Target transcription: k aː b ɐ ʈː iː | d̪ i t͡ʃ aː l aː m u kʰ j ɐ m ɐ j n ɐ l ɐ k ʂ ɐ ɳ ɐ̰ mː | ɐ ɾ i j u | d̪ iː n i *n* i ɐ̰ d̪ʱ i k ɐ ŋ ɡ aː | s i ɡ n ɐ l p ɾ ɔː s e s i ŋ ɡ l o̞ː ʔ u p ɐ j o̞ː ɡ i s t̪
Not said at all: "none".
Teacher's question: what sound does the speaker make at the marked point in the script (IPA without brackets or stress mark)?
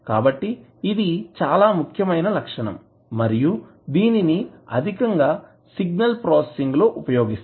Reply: n